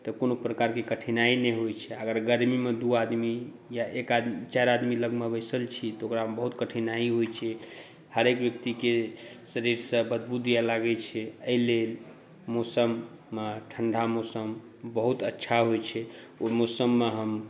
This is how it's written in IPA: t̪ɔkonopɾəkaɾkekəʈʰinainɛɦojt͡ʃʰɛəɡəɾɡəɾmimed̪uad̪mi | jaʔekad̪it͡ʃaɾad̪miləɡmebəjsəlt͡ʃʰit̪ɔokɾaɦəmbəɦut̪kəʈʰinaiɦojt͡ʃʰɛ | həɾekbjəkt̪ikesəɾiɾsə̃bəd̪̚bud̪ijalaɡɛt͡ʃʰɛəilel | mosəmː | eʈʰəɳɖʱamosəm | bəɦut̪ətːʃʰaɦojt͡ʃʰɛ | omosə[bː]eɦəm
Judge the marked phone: incorrect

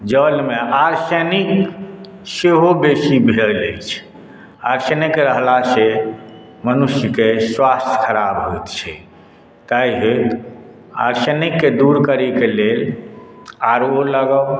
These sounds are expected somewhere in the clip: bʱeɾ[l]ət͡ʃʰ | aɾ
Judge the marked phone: correct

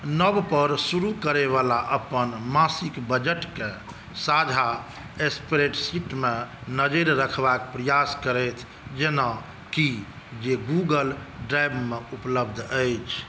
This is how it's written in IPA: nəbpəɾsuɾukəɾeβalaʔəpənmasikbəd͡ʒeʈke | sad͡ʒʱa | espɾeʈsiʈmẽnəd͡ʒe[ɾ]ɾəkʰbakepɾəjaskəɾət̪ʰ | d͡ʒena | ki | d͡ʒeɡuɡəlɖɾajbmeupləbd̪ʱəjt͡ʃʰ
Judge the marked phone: correct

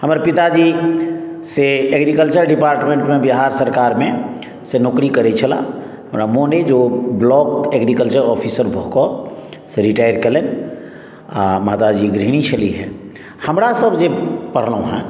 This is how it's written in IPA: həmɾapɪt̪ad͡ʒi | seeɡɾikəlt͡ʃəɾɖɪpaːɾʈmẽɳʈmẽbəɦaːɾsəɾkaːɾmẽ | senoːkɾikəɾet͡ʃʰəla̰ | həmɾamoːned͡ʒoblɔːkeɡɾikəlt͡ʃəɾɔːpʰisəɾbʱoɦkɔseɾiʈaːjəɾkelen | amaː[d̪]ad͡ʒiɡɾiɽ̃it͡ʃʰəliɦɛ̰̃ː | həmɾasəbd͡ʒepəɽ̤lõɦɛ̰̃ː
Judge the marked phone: incorrect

